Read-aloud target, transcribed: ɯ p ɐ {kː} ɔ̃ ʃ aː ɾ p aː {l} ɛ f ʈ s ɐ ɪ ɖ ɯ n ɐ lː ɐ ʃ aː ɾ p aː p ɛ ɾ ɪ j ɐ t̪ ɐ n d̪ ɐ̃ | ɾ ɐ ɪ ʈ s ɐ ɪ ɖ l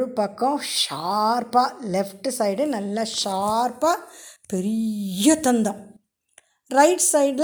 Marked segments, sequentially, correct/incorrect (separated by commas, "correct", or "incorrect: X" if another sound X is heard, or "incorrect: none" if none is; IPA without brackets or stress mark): correct, correct